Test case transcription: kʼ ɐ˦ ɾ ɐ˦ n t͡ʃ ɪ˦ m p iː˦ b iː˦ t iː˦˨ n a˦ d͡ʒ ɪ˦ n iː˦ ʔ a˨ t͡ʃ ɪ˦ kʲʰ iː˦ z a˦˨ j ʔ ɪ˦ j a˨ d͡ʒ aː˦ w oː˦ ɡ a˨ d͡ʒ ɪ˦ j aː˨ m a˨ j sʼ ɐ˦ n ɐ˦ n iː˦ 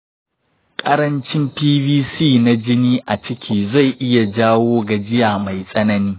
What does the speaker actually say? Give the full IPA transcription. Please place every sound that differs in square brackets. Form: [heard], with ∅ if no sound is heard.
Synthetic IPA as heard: kʼ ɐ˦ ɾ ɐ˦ n t͡ʃ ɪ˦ m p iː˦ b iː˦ [s] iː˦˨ n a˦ d͡ʒ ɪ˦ n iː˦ ʔ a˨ t͡ʃ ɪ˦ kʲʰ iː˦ z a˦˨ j ʔ ɪ˦ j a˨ d͡ʒ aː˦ w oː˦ ɡ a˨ d͡ʒ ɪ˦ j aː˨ m a˨ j sʼ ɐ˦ n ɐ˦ n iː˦